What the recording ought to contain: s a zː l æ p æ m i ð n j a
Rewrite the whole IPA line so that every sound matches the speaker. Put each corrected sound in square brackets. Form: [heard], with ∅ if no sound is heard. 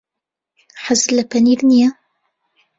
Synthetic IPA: [ħ] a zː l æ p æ [n] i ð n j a